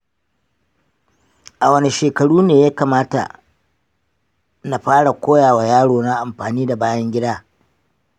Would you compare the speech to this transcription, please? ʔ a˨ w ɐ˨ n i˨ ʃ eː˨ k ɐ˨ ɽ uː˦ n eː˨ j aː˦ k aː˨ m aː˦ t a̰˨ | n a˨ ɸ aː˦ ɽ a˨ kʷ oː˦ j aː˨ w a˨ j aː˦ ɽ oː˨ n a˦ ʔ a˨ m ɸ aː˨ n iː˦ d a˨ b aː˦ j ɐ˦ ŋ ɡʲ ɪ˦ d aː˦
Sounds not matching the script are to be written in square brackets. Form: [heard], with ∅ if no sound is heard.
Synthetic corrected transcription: ʔ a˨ w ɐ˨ n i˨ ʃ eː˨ k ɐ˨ ɽ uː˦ n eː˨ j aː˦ k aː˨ m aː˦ t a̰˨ | n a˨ ɸ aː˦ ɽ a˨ kʷ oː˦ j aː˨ w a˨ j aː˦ ɽ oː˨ n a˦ ʔ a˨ m ɸ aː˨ n iː˦ d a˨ b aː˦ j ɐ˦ ŋ ɡʲ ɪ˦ d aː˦